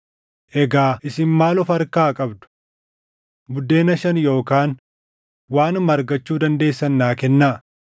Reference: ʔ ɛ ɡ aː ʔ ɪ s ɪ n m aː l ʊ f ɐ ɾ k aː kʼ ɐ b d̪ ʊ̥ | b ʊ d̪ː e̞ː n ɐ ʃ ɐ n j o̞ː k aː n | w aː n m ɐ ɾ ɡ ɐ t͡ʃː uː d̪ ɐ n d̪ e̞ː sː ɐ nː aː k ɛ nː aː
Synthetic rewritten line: ʔ ɛ ɡ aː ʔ ɪ s ɪ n m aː l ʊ f ɐ ɾ k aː kʼ ɐ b d̪ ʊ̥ | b ʊ d̪ː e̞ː n ɐ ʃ ɐ n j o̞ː k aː n | w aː n m ɐ ɾ ɡ ɐ t͡ʃː uː d̪ ɐ n d̪ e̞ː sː ɐ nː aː k ɛ nː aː